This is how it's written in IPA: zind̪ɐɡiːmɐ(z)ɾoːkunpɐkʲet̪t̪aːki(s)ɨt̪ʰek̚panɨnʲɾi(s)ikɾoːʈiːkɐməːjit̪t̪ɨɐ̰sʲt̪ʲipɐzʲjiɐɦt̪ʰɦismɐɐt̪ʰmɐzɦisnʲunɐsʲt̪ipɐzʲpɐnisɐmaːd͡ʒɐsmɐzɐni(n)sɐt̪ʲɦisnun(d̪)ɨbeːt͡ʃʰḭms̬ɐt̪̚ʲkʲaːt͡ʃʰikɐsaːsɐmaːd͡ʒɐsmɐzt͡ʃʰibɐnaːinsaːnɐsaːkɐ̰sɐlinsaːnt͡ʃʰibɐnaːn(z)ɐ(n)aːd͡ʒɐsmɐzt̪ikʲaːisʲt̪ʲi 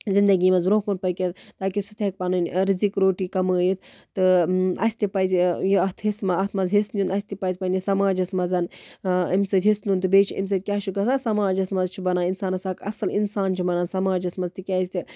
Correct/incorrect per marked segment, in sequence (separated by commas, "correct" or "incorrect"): correct, correct, incorrect, incorrect, incorrect, incorrect, incorrect